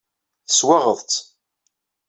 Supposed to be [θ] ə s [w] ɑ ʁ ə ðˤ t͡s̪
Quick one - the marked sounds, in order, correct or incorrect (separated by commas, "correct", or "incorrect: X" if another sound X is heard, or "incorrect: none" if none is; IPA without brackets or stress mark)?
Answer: correct, correct